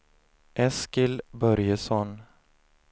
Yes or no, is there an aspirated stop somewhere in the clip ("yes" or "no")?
no